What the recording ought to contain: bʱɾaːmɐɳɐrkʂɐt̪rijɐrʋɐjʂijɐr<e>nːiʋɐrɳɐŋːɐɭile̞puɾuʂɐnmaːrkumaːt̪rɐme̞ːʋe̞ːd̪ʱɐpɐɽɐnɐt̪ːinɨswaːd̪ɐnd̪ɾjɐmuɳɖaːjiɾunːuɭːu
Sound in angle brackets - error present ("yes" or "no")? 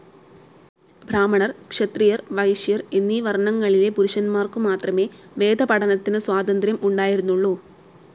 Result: no